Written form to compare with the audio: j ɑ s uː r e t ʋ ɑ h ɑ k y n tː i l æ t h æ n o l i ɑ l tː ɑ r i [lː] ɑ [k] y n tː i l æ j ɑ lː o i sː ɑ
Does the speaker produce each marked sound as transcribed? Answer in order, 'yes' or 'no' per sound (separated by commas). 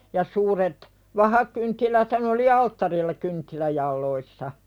yes, yes